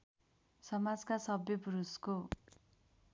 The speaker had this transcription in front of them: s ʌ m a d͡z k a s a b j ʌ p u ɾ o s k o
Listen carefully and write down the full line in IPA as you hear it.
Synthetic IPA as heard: s ʌ m a d͡z k a s ʌ b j ʌ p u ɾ u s k o